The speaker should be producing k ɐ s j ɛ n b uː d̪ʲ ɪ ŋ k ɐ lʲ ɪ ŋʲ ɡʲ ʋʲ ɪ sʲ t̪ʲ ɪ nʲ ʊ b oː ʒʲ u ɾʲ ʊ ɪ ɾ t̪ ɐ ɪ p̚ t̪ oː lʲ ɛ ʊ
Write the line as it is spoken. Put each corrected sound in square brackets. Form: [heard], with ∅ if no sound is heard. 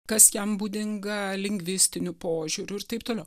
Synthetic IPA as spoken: k ɐ s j ɛ [m] b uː d̪ʲ ɪ ŋ [ɡ] ɐ lʲ ɪ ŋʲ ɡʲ ʋʲ ɪ sʲ t̪ʲ ɪ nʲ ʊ [p] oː ʒʲ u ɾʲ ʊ ɪ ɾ t̪ ɐ ɪ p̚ t̪ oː lʲ ɛ ʊ